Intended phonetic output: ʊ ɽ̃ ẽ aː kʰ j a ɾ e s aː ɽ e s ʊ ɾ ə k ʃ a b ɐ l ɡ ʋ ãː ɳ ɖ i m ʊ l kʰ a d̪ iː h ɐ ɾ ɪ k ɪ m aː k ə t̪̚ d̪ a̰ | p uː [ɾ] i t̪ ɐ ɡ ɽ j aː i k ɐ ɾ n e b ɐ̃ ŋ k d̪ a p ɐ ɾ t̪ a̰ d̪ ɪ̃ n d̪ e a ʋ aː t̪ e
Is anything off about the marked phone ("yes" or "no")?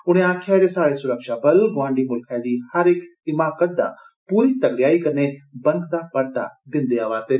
no